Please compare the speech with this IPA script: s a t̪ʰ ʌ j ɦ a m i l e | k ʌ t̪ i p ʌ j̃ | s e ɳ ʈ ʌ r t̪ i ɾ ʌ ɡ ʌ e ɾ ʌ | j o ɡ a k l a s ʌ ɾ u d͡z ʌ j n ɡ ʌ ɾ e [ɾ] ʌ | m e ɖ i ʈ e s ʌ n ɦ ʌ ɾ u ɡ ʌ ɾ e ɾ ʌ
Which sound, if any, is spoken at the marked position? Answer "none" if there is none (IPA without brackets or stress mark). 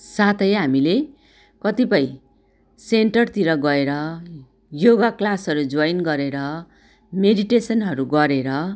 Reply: ɾ